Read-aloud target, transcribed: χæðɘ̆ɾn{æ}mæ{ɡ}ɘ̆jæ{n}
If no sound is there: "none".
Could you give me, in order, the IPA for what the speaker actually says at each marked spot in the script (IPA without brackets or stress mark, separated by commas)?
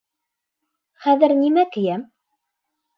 i, k, m